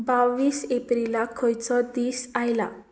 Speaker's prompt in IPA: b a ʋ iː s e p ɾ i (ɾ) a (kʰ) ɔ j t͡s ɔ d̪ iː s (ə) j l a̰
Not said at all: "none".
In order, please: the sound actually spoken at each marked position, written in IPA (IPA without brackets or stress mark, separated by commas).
l, kʰ, a